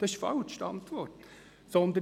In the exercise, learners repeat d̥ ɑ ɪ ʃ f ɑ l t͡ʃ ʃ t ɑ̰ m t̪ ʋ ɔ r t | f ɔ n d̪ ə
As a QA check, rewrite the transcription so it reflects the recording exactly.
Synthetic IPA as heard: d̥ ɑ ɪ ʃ f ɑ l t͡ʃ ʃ t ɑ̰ n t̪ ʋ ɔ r t | s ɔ n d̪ ə